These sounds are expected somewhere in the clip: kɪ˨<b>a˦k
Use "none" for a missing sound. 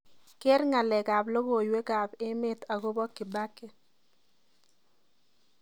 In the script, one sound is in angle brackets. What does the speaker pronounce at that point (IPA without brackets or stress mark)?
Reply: b